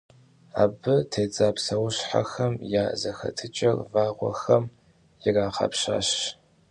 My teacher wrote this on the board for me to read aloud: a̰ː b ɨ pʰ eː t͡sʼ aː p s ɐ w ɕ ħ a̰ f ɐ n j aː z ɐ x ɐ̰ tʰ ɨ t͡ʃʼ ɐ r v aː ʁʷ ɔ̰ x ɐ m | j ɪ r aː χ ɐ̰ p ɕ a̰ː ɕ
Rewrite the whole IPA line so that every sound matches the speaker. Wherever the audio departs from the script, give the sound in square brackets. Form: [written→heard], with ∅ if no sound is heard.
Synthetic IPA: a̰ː b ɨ [pʰ→tʰ] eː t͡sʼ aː p s ɐ w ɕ ħ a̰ [f→x] ɐ [n→m] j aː z ɐ x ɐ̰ tʰ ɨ t͡ʃʼ ɐ r v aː ʁʷ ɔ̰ x ɐ m | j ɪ r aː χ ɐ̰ p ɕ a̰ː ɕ

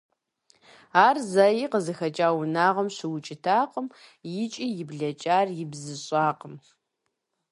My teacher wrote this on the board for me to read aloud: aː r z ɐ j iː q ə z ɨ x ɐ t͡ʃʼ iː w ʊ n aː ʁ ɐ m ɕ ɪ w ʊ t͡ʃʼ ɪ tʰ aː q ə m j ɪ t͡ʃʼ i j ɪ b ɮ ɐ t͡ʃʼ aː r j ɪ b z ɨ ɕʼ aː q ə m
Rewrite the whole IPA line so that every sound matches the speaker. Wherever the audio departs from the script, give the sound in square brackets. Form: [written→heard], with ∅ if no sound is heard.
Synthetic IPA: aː r z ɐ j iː q ə z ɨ x ɐ t͡ʃʼ [iː→aː] w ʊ n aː ʁ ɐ m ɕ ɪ w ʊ t͡ʃʼ ɪ tʰ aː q ə m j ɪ t͡ʃʼ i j ɪ b ɮ ɐ t͡ʃʼ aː r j ɪ b z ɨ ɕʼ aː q ə m

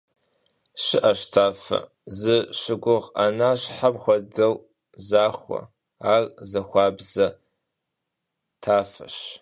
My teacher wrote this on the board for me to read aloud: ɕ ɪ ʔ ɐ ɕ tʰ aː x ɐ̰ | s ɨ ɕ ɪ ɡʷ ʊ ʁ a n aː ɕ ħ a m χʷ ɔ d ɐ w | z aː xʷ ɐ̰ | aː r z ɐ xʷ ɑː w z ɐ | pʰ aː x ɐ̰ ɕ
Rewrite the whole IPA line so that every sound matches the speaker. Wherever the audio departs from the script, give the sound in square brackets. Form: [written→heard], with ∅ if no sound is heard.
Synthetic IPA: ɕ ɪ ʔ ɐ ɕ tʰ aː [x→f] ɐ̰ | [s→z] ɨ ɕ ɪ ɡʷ ʊ ʁ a n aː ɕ ħ a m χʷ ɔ d ɐ w | z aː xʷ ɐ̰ | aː r z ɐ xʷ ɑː [w→b] z ɐ | [pʰ→tʰ] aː [x→f] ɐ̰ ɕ

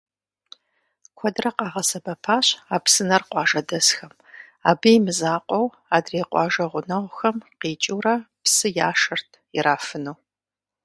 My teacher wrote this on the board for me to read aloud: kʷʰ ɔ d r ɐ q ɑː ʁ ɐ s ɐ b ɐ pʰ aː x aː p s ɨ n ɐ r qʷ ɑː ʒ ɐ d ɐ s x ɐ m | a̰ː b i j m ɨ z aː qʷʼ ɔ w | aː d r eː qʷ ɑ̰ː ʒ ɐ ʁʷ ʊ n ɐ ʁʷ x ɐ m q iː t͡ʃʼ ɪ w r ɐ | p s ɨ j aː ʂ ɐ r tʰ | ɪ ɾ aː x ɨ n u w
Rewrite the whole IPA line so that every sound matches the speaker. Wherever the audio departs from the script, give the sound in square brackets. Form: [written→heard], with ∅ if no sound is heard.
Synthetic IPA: kʷʰ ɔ d r ɐ q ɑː ʁ ɐ s ɐ b ɐ pʰ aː [x→ɕ] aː p s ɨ n ɐ r qʷ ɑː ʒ ɐ d ɐ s x ɐ m | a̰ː b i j m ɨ z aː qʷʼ ɔ w | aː d r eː qʷ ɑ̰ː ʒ ɐ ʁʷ ʊ n ɐ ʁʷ x ɐ m q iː t͡ʃʼ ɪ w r ɐ | p s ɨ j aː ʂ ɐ r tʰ | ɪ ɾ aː [x→f] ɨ n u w

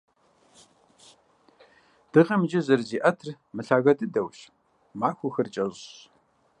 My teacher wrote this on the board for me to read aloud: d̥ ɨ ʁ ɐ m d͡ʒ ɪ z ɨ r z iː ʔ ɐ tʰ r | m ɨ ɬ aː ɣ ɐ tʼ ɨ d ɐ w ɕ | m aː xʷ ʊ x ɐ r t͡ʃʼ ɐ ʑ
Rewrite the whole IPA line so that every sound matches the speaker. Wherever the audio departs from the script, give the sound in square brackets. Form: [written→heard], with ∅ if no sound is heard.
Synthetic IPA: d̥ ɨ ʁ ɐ m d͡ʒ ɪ z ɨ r z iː ʔ ɐ tʰ r | m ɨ ɬ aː ɣ ɐ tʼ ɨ d ɐ w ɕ | m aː xʷ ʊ x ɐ r t͡ʃʼ ɐ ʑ

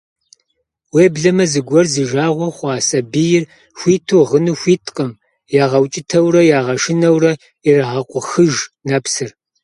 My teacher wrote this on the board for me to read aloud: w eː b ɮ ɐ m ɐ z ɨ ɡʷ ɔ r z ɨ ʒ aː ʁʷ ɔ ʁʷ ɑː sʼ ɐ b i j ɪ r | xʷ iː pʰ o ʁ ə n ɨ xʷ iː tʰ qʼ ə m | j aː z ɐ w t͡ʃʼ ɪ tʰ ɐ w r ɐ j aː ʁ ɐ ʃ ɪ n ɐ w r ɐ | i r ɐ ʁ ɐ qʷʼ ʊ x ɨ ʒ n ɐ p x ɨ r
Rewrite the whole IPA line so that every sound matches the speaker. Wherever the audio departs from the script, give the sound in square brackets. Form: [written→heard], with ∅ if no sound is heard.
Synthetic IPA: w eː b ɮ ɐ m ɐ z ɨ ɡʷ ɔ r z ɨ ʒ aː ʁʷ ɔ [ʁʷ→χʷ] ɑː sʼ ɐ b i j ɪ r | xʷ iː [pʰ→tʰ] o ʁ ə n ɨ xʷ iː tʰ qʼ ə m | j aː [z→ʁ] ɐ w t͡ʃʼ ɪ tʰ ɐ w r ɐ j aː ʁ ɐ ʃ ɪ n ɐ w r ɐ | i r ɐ ʁ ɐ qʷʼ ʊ x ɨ ʒ n ɐ p [x→s] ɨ r

